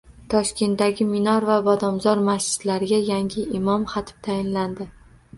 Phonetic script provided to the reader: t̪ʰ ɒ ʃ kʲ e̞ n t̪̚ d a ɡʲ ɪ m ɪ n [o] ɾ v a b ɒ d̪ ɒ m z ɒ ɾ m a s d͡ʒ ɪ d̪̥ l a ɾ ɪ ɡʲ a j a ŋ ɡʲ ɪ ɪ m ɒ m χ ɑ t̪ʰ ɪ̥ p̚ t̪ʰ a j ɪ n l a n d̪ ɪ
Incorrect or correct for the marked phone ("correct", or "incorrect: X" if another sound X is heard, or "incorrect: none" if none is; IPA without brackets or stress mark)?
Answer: incorrect: ɒ